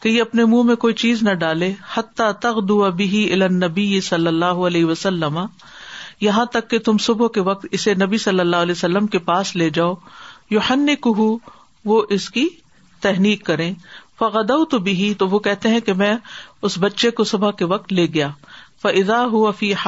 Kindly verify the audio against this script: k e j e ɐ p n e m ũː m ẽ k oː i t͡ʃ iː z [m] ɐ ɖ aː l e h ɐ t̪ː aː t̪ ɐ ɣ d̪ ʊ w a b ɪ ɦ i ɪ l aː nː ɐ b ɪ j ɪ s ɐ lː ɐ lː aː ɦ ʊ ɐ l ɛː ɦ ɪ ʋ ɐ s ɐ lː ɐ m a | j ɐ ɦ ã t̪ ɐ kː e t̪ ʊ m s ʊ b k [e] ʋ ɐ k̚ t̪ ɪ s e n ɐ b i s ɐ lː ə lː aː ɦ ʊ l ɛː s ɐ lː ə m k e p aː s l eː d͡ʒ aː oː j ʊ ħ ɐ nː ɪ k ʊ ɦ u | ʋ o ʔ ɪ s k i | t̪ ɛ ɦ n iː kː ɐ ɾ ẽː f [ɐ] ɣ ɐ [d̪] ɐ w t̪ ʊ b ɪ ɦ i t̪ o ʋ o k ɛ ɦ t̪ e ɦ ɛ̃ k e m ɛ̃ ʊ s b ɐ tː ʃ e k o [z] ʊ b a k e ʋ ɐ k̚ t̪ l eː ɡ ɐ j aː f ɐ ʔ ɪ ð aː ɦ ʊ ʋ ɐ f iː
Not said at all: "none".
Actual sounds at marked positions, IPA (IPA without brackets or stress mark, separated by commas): n, e, ɐ, d̪, s